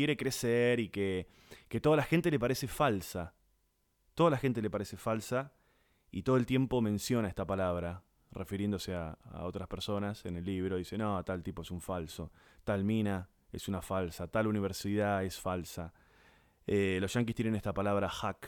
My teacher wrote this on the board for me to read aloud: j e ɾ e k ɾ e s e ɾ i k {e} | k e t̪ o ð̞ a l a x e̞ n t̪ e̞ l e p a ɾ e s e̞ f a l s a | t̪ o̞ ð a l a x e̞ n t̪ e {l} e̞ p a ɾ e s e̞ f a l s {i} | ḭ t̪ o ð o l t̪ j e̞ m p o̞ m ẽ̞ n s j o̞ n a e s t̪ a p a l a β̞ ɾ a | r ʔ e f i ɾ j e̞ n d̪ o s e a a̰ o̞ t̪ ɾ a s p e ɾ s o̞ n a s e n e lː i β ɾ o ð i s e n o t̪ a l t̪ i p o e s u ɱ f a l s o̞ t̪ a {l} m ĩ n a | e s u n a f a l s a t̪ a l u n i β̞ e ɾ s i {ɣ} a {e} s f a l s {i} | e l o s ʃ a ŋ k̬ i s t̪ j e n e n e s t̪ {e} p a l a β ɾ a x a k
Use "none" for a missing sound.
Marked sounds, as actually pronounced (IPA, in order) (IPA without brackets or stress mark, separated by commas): e, l, a, l, ð, e, a, a